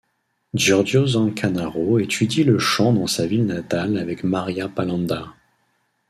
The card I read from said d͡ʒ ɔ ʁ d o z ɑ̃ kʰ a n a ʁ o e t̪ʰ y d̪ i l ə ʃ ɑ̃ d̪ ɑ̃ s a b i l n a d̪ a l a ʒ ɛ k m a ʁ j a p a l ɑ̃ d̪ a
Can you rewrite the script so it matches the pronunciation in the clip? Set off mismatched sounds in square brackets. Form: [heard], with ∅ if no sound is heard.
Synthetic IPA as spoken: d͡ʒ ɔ ʁ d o z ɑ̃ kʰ a n a ʁ o e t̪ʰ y d̪ i l ə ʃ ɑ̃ d̪ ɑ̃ s a [v] i l n a [t̪] a l a [v] ɛ k m a ʁ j a p a l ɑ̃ d̪ a